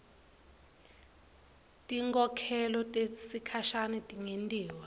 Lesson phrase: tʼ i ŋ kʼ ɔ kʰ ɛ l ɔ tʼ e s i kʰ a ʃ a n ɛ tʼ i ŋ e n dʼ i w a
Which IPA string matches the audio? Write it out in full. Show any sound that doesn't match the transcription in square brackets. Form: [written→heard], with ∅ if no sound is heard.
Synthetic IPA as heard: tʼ i ŋ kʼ ɔ kʰ ɛ l ɔ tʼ e s i kʰ a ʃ a n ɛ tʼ i ŋ e n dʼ [i→iː] w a